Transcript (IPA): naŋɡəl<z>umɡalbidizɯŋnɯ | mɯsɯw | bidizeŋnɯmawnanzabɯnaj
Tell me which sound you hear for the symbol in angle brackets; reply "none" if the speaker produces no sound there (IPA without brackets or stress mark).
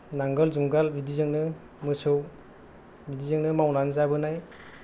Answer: z